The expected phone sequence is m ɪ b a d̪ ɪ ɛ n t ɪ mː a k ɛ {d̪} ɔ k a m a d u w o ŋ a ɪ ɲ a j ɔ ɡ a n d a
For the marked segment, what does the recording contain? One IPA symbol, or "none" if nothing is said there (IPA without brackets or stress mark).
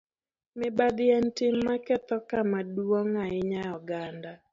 t̪